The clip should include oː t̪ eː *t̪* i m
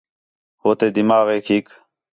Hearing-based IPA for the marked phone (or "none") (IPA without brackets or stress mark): d̪